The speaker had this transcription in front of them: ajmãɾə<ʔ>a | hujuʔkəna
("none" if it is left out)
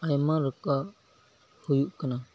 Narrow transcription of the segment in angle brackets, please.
k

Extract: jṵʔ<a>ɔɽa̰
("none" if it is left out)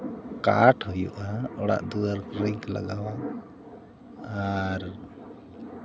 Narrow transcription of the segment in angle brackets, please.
a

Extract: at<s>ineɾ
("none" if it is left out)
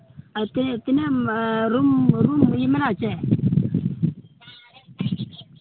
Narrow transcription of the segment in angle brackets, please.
t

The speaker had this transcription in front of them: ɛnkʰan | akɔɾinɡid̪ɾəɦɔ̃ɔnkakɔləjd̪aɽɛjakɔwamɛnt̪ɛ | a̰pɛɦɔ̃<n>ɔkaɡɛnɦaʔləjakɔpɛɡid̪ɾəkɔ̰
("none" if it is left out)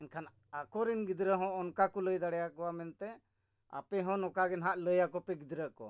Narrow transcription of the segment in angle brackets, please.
n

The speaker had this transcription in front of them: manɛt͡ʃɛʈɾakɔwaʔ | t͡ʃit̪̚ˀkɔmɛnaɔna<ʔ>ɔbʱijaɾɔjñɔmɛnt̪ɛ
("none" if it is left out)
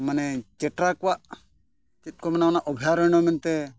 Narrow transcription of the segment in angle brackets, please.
ʔ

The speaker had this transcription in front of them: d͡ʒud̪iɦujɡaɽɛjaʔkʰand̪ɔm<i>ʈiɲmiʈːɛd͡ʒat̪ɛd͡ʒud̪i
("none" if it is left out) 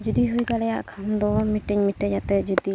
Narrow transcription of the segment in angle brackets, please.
i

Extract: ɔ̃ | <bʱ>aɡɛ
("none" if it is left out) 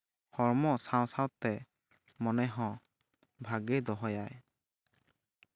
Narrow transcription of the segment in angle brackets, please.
bʱ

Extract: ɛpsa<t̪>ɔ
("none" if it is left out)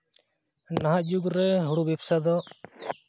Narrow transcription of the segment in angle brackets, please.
d̪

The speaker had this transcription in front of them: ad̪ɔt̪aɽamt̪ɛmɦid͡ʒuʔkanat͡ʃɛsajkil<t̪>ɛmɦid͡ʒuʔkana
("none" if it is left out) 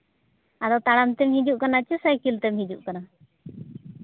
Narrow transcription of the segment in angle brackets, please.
t̪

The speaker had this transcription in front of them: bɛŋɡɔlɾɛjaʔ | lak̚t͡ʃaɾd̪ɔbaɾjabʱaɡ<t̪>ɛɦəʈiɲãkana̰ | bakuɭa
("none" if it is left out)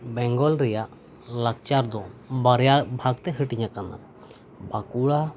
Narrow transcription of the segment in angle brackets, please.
t̪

